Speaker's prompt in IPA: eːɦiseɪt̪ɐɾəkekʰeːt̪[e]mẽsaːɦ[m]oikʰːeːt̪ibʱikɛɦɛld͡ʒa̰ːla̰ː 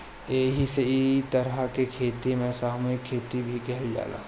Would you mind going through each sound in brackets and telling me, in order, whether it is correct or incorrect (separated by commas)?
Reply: incorrect, correct